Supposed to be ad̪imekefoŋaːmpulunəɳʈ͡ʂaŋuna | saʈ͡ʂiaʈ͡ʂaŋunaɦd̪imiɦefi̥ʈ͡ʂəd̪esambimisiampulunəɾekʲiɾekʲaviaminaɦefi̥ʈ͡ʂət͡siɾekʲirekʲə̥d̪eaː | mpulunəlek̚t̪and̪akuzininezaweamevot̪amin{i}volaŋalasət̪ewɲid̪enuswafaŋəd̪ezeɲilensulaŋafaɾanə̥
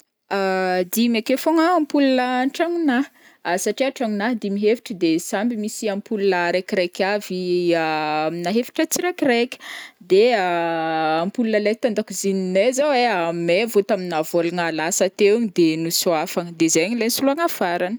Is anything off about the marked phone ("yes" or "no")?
yes